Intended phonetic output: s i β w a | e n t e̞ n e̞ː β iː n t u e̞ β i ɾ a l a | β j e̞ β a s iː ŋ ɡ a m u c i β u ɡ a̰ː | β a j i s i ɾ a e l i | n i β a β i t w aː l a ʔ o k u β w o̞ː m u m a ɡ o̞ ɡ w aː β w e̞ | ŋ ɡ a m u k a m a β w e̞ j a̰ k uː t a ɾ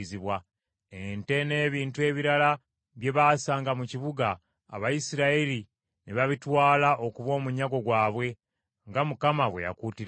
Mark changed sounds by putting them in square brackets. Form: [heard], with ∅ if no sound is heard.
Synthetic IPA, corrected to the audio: [z] i β w a | e n t e̞ n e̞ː β iː n t u e̞ β i ɾ a l a | β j e̞ β a s [aː] ŋ ɡ a m u c i β u ɡ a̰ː | β a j i s i ɾ a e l i | n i β a β i t w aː l a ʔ o k u β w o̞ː m u [ɲ] a ɡ o̞ ɡ w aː β w e̞ | ŋ ɡ a m u k a m a β w e̞ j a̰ k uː t [i] ɾ